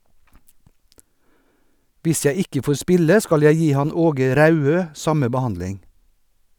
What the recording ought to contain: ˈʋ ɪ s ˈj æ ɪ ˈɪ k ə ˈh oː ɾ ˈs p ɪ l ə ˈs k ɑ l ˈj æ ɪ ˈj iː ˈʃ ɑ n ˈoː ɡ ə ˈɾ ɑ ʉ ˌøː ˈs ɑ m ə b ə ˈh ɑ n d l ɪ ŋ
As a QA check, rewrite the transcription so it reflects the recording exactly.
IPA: ˈʋ ɪ s ˈj æ ɪ ˈɪ k ə ˈf oː ɾ ˈs p ɪ l ə ˈs k ɑ l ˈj æ ɪ ˈj iː ˈh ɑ n ˈoː ɡ ə ˈɾ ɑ ʉ ˌøː ˈs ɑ m ə b ə ˈh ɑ n d l ɪ ŋ